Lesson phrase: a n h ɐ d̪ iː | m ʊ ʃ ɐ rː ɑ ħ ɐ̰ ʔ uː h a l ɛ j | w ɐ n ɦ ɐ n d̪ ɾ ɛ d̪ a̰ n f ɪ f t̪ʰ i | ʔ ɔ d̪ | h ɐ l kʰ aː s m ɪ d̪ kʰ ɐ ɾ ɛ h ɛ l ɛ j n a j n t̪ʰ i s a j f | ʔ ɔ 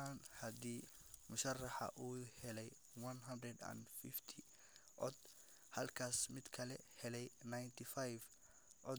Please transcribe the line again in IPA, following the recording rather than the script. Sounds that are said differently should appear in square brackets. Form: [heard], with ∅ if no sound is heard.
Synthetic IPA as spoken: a n h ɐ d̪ iː | m ʊ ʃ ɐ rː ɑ ħ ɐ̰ ʔ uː h [ɛ] l ɛ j | w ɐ n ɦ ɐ n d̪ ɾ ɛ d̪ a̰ n f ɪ f t̪ʰ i | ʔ ɔ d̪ | h ɐ l kʰ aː s m ɪ d̪ kʰ ɐ [l] ɛ h ɛ l ɛ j n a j n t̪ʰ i [f] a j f | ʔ ɔ